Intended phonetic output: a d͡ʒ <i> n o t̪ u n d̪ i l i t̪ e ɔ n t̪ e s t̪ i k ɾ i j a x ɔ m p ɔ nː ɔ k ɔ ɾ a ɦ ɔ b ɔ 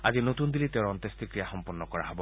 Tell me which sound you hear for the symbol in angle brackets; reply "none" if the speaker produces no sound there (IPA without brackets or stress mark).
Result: i